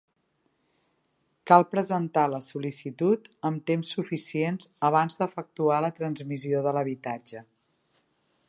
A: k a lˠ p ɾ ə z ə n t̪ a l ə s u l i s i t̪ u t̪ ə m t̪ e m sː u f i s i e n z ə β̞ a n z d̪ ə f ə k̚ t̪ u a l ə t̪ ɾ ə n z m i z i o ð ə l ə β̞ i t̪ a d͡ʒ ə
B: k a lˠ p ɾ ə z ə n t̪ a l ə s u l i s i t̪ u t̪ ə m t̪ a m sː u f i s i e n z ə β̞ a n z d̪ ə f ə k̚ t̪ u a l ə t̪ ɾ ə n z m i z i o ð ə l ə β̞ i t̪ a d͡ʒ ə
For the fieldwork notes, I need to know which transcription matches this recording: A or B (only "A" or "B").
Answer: A